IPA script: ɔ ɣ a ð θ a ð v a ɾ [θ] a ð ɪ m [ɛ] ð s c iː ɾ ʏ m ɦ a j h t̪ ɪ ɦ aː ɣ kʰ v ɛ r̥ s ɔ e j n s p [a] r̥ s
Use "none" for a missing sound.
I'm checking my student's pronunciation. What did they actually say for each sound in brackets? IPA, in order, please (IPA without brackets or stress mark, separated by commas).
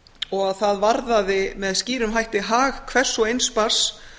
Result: ð, ɛ, a